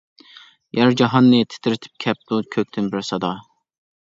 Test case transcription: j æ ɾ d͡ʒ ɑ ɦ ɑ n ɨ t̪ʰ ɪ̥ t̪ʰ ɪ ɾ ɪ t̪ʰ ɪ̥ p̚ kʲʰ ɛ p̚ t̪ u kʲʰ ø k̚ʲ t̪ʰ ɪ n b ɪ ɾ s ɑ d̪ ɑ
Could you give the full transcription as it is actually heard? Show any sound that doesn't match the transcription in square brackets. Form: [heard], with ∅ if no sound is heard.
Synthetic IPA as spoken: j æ ɾ d͡ʒ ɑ ɦ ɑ [nː] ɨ t̪ʰ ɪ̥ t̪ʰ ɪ ɾ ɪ t̪ʰ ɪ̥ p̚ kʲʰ ɛ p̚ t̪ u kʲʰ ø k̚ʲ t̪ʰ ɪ n b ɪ ɾ s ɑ d̪ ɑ